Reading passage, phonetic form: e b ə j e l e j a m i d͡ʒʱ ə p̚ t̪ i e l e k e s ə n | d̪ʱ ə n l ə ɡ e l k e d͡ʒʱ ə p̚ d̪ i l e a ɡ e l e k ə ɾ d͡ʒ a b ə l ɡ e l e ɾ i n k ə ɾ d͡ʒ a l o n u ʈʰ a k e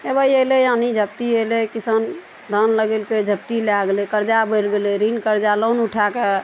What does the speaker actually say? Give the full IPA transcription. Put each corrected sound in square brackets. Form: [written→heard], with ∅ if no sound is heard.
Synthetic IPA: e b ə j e l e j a [m→n] i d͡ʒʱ ə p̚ t̪ i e l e k [e→i] s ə n | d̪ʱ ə n l ə ɡ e l k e d͡ʒʱ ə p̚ [d̪→t̪] i l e a ɡ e l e k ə ɾ d͡ʒ a b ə l ɡ e l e ɾ i n k ə ɾ d͡ʒ a l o n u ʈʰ a k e